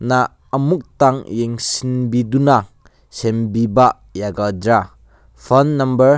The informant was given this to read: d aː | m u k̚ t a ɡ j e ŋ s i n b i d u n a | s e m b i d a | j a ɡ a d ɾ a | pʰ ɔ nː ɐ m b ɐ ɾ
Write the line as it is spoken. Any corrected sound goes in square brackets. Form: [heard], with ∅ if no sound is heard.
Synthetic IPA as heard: [n] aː | m u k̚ t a [ŋ] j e ŋ s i n b i d u n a | s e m b i [b] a | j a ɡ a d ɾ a | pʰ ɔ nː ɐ m b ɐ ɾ